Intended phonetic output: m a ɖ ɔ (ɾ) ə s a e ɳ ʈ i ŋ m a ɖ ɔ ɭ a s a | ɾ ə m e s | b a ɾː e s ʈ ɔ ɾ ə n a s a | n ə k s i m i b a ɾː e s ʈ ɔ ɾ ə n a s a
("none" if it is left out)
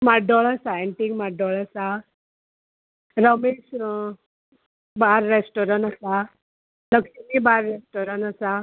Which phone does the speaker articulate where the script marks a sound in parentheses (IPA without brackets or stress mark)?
ɭ